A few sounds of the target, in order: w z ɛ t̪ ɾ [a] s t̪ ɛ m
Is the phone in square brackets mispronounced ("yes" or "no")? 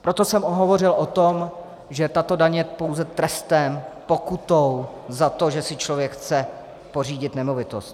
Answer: yes